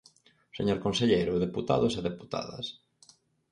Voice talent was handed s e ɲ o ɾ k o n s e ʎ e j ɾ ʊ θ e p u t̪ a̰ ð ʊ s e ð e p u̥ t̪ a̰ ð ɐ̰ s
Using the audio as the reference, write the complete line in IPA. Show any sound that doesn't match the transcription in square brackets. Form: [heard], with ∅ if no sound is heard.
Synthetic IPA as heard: s e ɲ o ɾ k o n s e ʎ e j ɾ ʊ [ð] e p u t̪ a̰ ð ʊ s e ð e p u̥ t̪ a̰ ð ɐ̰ s